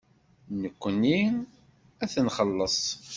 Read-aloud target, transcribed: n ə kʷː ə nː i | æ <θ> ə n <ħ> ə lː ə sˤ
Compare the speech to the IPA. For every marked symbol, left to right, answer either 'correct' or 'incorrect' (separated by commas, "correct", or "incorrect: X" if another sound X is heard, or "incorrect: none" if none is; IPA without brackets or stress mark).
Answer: correct, incorrect: χ